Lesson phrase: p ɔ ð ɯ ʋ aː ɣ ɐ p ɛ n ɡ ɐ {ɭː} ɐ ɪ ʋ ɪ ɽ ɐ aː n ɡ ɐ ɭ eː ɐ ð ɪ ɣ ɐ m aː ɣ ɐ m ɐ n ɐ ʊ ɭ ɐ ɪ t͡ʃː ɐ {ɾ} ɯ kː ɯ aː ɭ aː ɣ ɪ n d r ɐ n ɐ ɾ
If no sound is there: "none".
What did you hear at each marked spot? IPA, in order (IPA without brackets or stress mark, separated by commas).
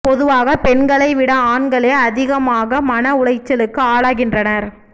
ɭ, l